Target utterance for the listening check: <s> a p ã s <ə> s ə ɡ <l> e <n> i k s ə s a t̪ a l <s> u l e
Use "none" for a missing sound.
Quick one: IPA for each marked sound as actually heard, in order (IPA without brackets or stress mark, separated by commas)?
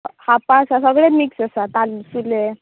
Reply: h, a, ɭ, m, s